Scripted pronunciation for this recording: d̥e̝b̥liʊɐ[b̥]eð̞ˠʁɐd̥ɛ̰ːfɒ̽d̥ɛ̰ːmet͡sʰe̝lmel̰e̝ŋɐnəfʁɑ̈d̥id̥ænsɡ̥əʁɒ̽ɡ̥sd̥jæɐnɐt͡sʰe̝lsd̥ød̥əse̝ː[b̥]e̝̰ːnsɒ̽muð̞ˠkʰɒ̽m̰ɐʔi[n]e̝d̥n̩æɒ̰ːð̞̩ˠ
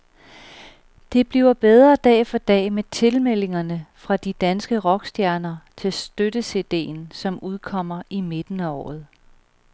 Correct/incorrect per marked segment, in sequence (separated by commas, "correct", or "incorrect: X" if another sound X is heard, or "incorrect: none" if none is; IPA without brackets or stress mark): correct, incorrect: d̥, incorrect: m